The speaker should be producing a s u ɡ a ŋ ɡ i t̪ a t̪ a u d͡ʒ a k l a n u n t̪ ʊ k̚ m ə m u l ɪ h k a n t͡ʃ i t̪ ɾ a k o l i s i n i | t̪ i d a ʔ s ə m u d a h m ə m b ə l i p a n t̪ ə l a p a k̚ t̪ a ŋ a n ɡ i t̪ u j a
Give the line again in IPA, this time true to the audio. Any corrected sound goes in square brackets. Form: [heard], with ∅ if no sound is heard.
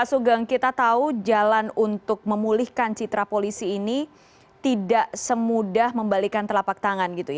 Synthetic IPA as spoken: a s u ɡ a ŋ [k] i t̪ a t̪ a u d͡ʒ a [∅] l a n u n t̪ ʊ k̚ m ə m u l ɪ h k a n t͡ʃ i t̪ ɾ a [p] o l i s [iː] n i | t̪ i d a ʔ s ə m u d a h m ə m b [a] l i [k] a n t̪ ə l a p a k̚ t̪ a ŋ a n ɡ i t̪ u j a